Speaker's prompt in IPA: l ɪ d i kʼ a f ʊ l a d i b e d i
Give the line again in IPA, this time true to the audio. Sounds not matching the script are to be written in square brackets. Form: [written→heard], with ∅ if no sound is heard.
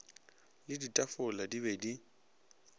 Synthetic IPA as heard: l ɪ d i [kʼ→tʼ] a f ʊ l a d i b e d i